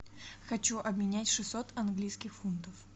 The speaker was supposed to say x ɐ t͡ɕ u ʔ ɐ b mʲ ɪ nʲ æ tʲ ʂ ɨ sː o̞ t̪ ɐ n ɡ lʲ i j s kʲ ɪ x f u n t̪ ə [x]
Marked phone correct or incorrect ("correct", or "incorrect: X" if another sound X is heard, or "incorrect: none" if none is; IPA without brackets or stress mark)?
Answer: incorrect: f